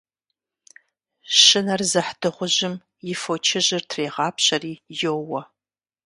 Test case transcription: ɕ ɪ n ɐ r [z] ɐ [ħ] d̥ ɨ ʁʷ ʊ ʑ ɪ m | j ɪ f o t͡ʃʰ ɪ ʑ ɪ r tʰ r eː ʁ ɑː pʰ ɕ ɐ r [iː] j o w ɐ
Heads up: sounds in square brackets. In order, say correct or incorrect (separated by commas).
correct, correct, correct